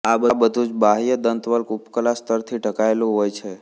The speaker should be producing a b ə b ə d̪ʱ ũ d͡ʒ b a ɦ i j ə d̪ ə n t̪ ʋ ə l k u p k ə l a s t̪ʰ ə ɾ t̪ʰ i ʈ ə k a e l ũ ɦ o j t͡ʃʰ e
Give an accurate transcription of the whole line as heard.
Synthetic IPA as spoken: a b ə b ə d̪ʱ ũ d͡ʒ b a ɦ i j ə d̪ ə n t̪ ʋ ə l k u p k ə l a s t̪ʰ ə ɾ t̪ʰ i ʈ ə k a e l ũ ɦ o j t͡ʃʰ e